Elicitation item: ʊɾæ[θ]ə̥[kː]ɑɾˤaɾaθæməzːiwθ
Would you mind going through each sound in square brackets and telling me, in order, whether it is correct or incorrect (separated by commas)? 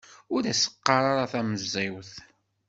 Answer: incorrect, incorrect